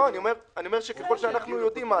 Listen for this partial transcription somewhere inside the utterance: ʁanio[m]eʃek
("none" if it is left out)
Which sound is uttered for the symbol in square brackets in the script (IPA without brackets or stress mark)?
m